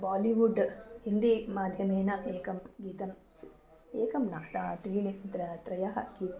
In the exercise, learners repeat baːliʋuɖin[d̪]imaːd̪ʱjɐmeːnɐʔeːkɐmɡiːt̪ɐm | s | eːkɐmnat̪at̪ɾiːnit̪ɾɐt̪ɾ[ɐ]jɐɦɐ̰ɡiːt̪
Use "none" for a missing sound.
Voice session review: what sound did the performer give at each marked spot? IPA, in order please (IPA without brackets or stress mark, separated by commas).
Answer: d̪, ɐ